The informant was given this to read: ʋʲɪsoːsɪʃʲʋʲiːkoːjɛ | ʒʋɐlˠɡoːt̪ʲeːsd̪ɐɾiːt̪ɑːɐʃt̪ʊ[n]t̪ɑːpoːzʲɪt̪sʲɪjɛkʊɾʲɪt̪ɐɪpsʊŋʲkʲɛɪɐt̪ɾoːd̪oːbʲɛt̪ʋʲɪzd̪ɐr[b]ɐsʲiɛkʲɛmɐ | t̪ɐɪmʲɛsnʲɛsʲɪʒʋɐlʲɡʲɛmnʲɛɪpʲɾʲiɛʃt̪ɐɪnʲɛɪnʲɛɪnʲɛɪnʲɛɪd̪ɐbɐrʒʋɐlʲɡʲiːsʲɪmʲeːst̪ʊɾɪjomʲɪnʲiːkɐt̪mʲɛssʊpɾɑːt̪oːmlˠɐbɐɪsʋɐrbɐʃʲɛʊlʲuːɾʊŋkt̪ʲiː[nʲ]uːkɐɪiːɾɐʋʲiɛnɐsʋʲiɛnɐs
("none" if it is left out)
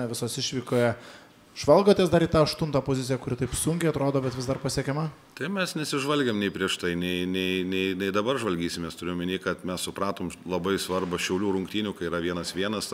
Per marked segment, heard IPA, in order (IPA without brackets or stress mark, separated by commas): n, p, nʲ